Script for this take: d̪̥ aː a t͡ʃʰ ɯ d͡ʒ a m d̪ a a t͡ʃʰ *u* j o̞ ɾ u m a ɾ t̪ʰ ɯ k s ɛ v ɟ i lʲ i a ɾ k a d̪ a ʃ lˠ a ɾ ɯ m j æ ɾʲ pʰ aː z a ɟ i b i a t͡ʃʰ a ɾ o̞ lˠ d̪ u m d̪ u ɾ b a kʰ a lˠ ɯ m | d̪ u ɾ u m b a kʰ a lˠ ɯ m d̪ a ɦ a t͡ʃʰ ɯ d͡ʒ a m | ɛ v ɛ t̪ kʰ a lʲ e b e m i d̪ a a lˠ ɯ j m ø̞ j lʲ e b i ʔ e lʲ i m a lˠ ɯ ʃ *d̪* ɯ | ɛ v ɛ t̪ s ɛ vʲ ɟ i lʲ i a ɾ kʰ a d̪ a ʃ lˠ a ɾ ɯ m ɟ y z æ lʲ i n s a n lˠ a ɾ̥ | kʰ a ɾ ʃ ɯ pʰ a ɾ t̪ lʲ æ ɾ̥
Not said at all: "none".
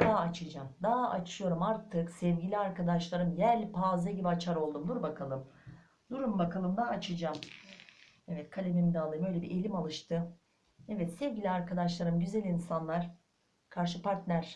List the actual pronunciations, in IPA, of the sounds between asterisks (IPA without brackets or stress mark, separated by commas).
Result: ɯ, t̪